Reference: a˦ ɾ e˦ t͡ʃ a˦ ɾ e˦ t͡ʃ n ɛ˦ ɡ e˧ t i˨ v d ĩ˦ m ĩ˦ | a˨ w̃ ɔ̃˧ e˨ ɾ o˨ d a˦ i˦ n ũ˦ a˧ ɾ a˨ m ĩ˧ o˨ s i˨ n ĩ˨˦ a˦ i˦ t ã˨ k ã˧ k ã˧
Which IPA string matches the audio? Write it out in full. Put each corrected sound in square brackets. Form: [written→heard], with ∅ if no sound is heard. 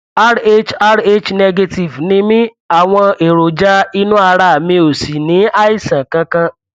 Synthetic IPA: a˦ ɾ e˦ t͡ʃ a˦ ɾ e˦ t͡ʃ n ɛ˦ ɡ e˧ t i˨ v [d→n] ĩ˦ m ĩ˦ | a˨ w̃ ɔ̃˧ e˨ ɾ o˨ [d→d͡ʒ] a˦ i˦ n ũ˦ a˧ ɾ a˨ m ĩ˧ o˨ s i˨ n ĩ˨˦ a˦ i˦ [t→s] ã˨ k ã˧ k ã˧